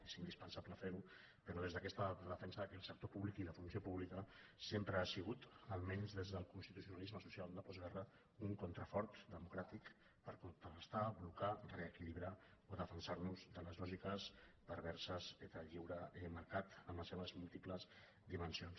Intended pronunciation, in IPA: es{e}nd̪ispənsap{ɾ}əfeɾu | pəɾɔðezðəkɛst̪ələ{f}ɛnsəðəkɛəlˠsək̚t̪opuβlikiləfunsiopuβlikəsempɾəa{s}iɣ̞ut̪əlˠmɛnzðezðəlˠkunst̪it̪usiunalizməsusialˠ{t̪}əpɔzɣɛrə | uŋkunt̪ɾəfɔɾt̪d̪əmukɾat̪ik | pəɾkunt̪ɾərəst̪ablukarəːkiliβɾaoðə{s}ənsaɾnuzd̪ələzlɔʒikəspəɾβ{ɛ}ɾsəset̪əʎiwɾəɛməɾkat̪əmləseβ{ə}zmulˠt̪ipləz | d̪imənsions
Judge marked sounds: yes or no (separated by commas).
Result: no, no, yes, yes, no, no, yes, yes